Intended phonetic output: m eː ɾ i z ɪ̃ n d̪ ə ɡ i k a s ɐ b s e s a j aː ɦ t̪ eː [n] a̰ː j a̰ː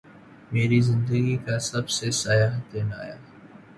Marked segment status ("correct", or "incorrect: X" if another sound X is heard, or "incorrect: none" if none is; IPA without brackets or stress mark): correct